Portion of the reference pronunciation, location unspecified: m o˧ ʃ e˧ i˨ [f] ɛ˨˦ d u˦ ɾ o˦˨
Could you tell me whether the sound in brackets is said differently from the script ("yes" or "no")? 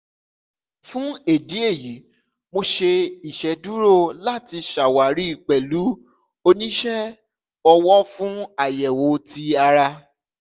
yes